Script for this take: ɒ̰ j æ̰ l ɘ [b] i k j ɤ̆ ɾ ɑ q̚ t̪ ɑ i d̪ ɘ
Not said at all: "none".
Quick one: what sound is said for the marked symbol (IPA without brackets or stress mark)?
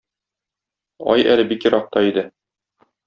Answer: b